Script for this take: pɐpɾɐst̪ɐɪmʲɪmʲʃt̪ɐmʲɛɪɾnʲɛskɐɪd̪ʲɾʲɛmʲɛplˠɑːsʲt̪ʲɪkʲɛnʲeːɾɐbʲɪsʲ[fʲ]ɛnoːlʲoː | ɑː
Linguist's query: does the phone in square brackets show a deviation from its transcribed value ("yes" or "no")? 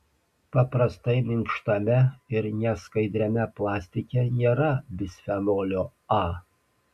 no